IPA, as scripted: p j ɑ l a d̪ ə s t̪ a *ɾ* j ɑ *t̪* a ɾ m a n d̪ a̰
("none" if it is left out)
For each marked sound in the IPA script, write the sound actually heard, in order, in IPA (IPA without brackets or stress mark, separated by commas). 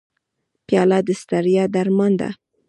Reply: ɾ, d̪